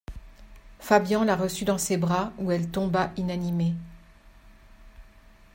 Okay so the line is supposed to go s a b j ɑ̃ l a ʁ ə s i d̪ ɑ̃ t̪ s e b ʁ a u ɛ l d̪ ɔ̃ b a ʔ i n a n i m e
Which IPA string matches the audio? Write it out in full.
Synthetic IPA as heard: f a b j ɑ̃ l a ʁ ə s y d̪ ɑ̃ s e b ʁ a u ɛ l t̪ ɔ̃ b a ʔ i n a n i m e